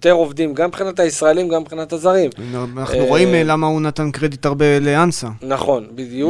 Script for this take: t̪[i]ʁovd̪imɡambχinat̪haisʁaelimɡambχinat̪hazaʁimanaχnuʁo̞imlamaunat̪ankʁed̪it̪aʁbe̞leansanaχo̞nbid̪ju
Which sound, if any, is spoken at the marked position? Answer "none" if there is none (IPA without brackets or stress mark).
e